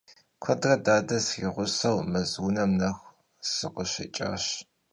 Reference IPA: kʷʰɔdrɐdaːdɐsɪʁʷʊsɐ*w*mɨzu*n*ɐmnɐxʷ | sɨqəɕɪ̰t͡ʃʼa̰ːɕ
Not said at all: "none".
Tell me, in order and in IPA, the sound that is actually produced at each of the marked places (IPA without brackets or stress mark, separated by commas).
w, n